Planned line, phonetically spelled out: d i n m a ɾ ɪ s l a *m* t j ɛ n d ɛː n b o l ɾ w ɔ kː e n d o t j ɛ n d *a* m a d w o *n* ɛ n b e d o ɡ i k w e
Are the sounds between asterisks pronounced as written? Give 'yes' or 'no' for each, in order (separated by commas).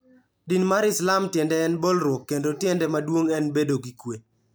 yes, no, no